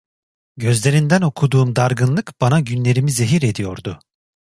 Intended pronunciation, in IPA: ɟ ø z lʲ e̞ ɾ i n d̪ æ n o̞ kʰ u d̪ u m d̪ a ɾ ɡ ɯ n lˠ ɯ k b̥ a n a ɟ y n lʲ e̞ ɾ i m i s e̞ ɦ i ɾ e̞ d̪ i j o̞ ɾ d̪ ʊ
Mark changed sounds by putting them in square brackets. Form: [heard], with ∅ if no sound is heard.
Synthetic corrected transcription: ɟ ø z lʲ e̞ ɾ i n d̪ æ n o̞ kʰ u d̪ [uː] m d̪ a ɾ ɡ ɯ n lˠ ɯ k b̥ a n a ɟ y n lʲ e̞ ɾ i m i [z] e̞ ɦ i ɾ e̞ d̪ i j o̞ ɾ d̪ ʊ